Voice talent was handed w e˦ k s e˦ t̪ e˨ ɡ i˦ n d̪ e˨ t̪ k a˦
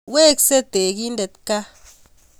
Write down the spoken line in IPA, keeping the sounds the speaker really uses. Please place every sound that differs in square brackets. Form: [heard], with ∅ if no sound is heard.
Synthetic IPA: w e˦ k s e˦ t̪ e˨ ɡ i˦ n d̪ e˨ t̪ k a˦